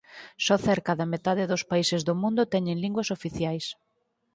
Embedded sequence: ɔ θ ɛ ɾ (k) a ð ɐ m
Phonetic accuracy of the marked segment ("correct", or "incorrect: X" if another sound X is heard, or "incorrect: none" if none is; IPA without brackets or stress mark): correct